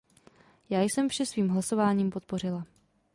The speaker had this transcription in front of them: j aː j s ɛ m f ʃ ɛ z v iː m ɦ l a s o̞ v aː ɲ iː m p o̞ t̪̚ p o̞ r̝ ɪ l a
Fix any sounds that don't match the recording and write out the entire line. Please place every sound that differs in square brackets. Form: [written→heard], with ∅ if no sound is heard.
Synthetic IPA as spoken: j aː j s ɛ m f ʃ ɛ [z→s] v iː m ɦ l a s o̞ v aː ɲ iː m p o̞ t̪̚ p o̞ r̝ ɪ l a